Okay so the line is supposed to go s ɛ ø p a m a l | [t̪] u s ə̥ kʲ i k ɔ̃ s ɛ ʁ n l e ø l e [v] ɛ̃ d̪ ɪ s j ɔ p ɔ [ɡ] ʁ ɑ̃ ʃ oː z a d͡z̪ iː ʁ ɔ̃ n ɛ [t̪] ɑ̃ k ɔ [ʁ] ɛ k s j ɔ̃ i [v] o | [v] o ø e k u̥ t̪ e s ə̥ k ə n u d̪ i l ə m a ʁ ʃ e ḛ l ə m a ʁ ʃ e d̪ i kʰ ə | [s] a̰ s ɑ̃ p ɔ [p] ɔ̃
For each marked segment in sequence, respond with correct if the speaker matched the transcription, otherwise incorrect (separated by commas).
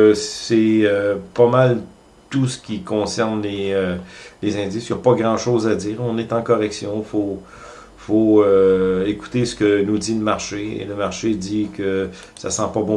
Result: correct, incorrect, correct, correct, correct, incorrect, incorrect, correct, incorrect